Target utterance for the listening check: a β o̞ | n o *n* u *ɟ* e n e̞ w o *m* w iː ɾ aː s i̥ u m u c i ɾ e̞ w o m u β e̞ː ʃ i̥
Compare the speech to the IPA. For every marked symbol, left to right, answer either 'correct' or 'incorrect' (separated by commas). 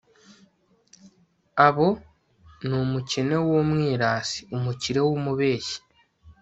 incorrect, incorrect, correct